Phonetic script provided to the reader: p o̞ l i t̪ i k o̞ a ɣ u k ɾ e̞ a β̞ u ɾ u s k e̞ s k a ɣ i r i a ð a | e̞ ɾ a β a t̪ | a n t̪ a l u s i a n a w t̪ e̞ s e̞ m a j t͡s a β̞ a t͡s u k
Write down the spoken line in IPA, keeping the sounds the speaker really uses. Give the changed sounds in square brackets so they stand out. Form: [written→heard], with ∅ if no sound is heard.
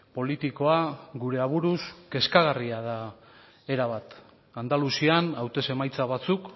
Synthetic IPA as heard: p o̞ l i t̪ i k o̞ a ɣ u [k→∅] ɾ e̞ a β̞ u ɾ u s k e̞ s k a ɣ [i→a] r i a ð a | e̞ ɾ a β a t̪ | a n [t̪→d̪] a l u s i a n a w t̪ e̞ s e̞ m a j t͡s a β̞ a t͡s u k